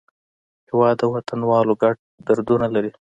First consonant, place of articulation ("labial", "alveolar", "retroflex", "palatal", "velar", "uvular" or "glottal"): glottal